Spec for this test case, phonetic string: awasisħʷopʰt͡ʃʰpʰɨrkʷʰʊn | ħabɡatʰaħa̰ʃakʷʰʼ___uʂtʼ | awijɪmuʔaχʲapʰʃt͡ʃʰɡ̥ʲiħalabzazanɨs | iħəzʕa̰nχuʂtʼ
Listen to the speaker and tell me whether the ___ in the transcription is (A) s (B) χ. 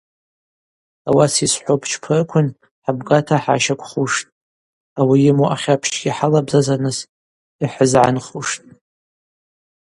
B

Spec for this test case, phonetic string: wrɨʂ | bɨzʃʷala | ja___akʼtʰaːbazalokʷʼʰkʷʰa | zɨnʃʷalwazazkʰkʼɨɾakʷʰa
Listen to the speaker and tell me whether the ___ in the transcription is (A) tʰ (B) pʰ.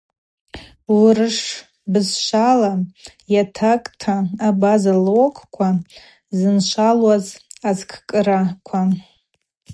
A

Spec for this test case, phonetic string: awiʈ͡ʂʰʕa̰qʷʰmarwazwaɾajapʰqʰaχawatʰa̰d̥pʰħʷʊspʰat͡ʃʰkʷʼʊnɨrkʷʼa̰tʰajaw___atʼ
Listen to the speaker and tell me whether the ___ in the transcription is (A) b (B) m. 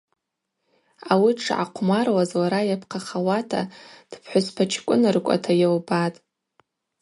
A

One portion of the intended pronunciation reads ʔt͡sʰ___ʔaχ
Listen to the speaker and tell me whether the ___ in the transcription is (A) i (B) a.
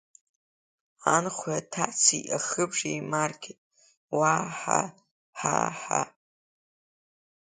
A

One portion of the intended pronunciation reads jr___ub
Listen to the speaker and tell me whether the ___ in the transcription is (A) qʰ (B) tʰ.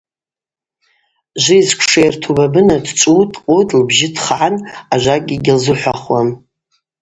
B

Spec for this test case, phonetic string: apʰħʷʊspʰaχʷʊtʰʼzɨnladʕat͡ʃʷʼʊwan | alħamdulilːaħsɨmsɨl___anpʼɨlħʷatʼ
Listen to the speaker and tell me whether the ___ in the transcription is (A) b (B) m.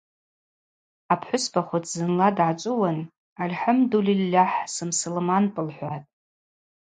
B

